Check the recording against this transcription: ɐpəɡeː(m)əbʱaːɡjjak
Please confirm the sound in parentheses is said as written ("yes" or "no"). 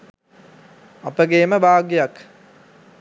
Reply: yes